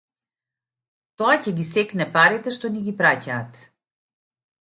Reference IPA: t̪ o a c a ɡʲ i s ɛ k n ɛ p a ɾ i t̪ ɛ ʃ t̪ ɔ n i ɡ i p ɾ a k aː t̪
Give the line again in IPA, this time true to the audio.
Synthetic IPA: t̪ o a c ɛ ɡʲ i s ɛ k n ɛ p a ɾ i t̪ ɛ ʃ t̪ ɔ n i ɡ i p ɾ a c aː t̪